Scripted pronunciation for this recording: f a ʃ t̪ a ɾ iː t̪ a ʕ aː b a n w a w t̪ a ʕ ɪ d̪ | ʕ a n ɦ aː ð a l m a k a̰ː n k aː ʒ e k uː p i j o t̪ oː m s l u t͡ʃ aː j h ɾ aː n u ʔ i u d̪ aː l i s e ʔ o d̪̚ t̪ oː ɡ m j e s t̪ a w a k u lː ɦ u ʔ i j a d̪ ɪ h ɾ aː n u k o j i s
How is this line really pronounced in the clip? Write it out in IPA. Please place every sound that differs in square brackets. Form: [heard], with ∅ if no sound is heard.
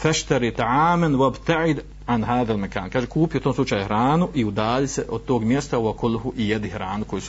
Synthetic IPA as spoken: f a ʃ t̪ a ɾ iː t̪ a ʕ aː [m] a n w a [b] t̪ a ʕ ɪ d̪ | ʕ a n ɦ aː ð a l m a k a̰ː n k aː ʒ e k uː p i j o t̪ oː m s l u t͡ʃ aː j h ɾ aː n u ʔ i u d̪ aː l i s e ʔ o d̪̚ t̪ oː ɡ m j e s t̪ a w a k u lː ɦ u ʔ i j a d̪ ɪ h ɾ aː n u k o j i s